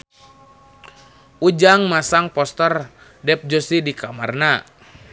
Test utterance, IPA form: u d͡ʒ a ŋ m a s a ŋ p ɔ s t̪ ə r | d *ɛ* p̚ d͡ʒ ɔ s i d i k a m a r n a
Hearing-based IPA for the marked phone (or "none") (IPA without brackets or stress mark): ɛ